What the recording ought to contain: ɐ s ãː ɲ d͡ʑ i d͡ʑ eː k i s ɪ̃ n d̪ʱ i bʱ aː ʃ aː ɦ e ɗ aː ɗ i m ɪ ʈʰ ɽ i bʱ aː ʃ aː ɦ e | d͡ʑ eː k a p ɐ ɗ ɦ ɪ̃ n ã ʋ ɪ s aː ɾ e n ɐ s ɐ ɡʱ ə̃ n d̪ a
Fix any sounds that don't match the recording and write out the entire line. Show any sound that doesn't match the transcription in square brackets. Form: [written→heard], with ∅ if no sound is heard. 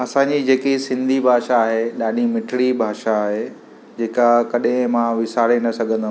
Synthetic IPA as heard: ɐ s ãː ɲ d͡ʑ i d͡ʑ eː k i s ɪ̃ n d̪ʱ i bʱ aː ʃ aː ɦ e ɗ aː ɗ i m ɪ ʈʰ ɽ i bʱ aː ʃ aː ɦ e | d͡ʑ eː k a [p→k] ɐ ɗ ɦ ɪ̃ [n→m] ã ʋ ɪ s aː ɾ e n ɐ s ɐ ɡʱ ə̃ n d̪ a